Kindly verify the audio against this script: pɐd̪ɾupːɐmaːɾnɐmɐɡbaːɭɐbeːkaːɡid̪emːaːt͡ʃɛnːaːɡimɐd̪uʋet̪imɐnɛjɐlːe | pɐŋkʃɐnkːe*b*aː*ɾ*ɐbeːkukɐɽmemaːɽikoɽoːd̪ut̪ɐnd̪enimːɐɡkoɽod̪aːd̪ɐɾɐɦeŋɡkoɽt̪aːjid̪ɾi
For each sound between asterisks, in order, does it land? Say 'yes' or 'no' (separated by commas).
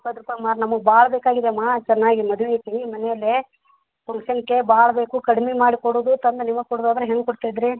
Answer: yes, no